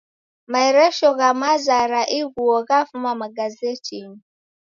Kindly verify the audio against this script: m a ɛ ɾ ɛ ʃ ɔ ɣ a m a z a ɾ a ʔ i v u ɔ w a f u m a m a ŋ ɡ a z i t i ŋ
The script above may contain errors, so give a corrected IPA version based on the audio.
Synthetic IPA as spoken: m a ɛ ɾ ɛ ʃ ɔ ɣ a m a z a ɾ a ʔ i ɣ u ɔ ɣ a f u m a m a ɡ a z ɛ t i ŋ